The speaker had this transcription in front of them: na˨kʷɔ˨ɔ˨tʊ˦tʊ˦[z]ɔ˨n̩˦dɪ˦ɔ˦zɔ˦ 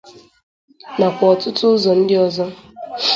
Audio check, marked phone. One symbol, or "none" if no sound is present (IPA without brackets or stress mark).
z